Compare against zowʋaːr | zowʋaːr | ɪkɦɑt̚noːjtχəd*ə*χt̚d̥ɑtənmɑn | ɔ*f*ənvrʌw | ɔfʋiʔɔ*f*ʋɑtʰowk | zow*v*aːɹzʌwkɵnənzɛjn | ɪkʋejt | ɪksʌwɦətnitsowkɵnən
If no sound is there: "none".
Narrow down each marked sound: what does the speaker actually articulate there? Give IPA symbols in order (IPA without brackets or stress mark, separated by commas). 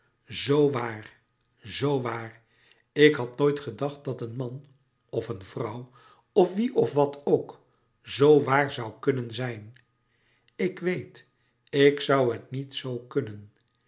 ɑ, f, f, ʋ